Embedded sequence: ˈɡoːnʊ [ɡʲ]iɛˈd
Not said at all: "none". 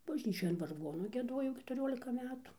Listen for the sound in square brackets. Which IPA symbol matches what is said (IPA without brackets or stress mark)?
ɡʲ